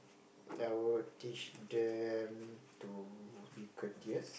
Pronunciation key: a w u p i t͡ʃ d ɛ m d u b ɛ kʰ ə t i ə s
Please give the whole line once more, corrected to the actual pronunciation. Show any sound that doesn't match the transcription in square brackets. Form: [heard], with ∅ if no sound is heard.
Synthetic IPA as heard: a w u [t] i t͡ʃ d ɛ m [t] u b [i] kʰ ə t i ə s